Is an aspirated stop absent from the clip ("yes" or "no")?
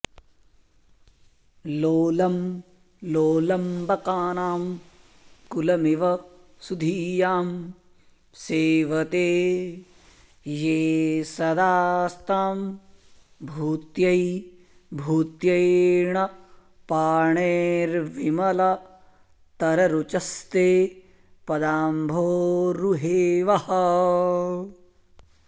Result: yes